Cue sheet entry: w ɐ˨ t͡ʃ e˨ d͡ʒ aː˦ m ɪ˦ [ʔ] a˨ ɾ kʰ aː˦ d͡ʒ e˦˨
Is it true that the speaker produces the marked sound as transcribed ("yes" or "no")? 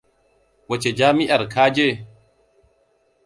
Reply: yes